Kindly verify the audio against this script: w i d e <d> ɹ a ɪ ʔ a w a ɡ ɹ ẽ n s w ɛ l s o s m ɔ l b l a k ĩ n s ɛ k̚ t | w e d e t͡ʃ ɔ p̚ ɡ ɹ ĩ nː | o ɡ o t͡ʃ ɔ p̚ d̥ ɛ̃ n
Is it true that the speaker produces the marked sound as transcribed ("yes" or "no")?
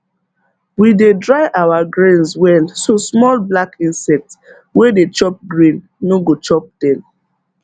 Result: yes